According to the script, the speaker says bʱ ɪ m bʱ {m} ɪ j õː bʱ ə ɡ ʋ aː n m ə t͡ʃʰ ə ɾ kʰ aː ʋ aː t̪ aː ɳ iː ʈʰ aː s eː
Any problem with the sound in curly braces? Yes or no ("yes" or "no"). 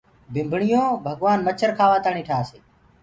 yes